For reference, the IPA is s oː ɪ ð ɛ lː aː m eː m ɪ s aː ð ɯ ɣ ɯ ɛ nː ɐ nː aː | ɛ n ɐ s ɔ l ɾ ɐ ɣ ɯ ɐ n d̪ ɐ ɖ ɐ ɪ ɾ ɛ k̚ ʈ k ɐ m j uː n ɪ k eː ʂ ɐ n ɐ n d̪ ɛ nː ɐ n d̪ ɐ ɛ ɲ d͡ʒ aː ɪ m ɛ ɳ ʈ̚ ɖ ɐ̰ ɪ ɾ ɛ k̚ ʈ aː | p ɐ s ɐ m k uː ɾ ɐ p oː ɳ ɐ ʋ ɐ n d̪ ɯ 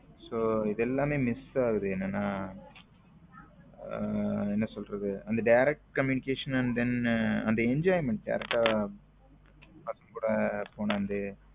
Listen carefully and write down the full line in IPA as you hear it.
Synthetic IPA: s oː ɪ ð ɛ lː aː m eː m ɪ s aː ɣ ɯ ð ɯ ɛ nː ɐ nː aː | ɛ nː ɐ s ɔ l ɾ ɐ ð ɯ ɐ n d̪ ɐ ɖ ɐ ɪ ɾ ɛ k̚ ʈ k ɐ m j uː n ɪ k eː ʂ ɐ n ɐ n d̪ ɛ n ɐ n d̪ ɐ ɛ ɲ d͡ʒ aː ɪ m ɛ ɳ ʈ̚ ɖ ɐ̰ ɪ ɾ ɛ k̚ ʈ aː | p ɐ s ɐ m k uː ɽ ɐ p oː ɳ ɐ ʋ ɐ n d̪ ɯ